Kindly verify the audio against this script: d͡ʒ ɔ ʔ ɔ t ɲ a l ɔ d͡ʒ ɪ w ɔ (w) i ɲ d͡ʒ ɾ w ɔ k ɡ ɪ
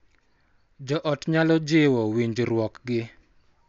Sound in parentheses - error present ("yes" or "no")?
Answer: no